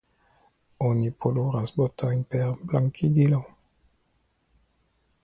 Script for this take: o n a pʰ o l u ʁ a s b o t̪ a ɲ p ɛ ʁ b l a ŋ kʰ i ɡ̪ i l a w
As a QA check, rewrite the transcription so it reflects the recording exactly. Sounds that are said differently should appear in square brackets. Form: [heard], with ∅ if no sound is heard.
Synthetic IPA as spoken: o n [i] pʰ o l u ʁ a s b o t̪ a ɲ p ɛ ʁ b l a ŋ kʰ i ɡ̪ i l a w